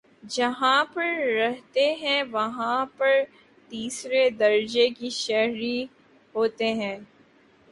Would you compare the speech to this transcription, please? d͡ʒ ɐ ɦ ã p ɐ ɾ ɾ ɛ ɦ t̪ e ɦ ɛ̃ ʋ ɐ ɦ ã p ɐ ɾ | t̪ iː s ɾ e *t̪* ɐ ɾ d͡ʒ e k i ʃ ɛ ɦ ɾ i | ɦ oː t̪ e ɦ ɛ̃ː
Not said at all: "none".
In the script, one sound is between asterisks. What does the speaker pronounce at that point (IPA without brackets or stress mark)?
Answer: d̪